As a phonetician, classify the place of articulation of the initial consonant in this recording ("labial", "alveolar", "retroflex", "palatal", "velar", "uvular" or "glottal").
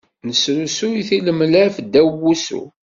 alveolar